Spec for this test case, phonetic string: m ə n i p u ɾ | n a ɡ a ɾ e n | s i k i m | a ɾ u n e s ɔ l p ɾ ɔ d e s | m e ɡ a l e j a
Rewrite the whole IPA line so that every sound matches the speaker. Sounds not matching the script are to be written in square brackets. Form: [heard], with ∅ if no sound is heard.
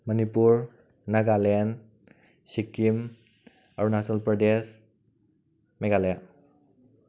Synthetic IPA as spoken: m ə n i p u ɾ | n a ɡ a [l] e n | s i k i m | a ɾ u n [a] s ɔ l p ɾ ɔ d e s | m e ɡ a l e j a